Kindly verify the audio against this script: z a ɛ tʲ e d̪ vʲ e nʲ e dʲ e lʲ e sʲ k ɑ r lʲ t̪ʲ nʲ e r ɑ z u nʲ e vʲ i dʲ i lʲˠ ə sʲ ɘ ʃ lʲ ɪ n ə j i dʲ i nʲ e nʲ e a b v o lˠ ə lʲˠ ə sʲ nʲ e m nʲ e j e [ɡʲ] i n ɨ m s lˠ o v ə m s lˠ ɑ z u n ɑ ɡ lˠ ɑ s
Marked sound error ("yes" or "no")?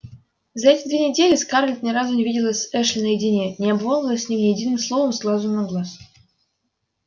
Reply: yes